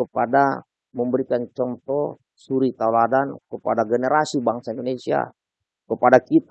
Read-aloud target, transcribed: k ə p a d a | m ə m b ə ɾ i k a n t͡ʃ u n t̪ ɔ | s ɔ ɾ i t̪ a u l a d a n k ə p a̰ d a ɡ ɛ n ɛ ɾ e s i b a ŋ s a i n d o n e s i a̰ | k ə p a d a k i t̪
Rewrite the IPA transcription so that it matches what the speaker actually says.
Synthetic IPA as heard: k ə p a d a | m ə m b ə ɾ i k a n t͡ʃ ɔ n t̪ ɔ | s u ɾ i t̪ a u l a d a n k ə p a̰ d a ɡ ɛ n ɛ ɾ a s i b a ŋ s a i n d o n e s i a̰ | k ə p a d a k i t̪